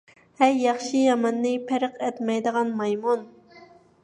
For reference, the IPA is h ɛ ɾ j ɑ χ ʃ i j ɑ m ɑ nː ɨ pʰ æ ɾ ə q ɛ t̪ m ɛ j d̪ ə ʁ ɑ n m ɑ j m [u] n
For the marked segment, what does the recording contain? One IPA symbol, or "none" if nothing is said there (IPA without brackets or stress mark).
u